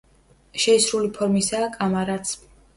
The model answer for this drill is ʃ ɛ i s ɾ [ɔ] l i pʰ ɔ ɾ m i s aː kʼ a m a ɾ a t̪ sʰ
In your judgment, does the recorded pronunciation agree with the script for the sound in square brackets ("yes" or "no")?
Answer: no